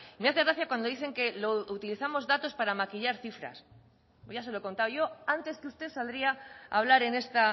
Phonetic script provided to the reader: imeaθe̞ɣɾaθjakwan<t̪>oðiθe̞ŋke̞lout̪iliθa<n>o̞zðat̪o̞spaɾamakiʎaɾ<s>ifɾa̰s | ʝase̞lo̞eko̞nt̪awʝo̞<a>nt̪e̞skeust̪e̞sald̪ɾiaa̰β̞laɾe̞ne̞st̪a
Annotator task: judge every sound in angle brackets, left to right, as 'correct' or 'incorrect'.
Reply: incorrect: d̪, incorrect: m, incorrect: θ, correct

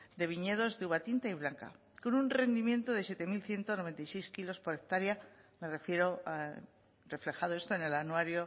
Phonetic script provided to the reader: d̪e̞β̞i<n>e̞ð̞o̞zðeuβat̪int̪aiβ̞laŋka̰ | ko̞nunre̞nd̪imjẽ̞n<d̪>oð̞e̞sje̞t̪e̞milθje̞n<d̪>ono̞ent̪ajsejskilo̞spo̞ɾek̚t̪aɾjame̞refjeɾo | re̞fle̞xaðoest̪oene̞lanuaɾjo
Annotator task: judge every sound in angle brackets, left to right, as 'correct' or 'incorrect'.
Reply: incorrect: ɲ, incorrect: t̪, incorrect: t̪

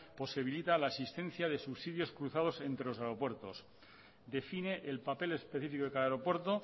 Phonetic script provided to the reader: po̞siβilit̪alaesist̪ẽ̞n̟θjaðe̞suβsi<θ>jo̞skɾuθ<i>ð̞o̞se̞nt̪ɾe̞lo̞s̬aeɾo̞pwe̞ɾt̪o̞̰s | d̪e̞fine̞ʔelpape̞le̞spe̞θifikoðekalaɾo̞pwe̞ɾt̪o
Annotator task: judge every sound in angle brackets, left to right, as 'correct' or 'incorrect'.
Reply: incorrect: ð, incorrect: a

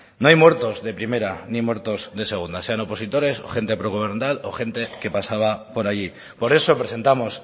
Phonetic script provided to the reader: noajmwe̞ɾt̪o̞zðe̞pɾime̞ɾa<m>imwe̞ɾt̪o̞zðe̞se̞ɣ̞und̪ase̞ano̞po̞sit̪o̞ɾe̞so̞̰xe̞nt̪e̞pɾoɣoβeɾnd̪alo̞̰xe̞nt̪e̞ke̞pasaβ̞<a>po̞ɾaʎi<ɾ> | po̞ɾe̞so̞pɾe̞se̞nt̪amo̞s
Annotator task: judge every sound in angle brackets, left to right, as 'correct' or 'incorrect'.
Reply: incorrect: n, correct, incorrect: none

